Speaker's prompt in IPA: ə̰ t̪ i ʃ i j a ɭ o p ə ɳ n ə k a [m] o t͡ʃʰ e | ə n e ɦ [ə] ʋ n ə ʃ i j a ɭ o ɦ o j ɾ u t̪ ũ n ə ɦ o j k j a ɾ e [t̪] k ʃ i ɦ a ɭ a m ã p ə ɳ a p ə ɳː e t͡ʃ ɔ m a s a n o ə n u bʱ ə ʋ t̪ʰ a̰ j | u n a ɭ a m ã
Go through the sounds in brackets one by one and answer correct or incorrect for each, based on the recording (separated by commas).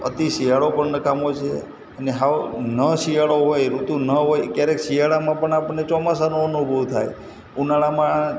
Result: correct, incorrect, incorrect